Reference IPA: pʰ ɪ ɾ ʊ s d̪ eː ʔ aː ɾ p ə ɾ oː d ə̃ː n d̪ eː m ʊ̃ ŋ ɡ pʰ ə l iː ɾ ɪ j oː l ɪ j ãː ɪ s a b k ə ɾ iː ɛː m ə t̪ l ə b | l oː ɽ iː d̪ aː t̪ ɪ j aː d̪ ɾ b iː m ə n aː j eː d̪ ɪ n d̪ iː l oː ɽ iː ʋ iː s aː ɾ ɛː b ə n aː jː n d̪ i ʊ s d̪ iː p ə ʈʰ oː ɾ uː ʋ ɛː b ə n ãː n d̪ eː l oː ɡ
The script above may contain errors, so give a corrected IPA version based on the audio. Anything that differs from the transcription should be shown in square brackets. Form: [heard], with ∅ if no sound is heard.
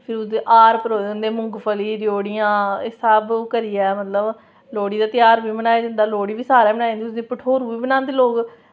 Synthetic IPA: pʰ ɪ ɾ ʊ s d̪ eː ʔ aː ɾ p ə ɾ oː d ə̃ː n d̪ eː m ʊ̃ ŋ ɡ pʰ ə l iː ɾ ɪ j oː [ɽ] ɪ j ãː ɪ s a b k ə ɾ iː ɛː m ə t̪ l ə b | l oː ɽ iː d̪ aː t̪ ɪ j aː [∅] ɾ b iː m ə n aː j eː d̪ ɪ n d̪ [aː] l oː ɽ iː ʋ iː s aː ɾ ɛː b ə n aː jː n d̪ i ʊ s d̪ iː p ə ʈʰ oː ɾ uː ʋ [iː] b ə n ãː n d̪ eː l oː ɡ